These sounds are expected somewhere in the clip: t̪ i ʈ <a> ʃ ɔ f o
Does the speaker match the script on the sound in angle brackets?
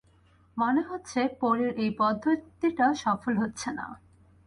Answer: yes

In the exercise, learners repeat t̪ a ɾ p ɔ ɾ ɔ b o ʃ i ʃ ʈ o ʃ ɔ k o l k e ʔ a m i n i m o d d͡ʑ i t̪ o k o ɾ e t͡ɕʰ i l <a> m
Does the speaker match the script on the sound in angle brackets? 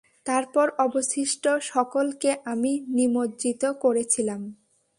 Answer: yes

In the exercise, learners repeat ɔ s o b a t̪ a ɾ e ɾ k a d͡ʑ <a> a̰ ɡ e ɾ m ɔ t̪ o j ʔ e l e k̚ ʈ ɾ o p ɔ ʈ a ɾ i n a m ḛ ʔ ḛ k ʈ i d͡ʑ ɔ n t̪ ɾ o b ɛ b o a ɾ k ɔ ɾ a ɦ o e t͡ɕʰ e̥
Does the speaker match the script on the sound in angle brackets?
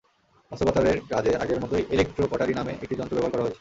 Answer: no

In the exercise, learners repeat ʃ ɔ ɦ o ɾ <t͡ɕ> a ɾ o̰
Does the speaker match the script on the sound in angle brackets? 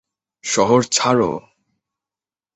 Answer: no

